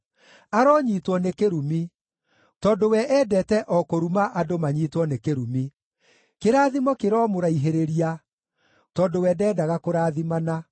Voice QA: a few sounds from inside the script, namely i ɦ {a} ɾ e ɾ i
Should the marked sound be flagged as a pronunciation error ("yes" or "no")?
yes